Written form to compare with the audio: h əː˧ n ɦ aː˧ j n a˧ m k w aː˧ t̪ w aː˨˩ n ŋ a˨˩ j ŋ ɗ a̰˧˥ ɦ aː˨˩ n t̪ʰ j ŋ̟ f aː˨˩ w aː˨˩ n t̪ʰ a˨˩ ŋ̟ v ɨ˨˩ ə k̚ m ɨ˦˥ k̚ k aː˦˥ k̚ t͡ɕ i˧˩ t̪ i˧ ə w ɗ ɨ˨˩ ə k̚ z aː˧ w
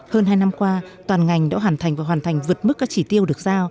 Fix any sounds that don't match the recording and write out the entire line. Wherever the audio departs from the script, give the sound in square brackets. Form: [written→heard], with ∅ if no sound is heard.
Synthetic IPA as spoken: h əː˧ n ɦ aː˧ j n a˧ m k w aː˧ t̪ w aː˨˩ n ŋ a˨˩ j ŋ ɗ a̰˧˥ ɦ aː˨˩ n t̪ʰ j ŋ̟ [f→v] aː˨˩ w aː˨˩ n t̪ʰ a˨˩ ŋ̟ v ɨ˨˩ ə [k̚→t̚] m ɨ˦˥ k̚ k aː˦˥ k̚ t͡ɕ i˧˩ t̪ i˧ ə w ɗ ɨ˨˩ ə k̚ z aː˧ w